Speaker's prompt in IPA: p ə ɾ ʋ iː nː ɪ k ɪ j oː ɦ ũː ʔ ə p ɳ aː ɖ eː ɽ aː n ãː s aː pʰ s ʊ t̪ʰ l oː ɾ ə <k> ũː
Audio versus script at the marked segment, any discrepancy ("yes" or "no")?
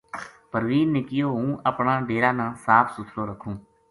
yes